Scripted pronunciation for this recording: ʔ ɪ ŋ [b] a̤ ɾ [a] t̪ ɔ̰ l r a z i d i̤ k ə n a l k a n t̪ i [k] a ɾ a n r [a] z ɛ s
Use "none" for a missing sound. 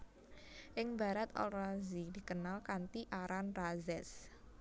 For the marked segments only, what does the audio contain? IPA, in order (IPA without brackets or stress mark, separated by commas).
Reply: b, a, ʔ, a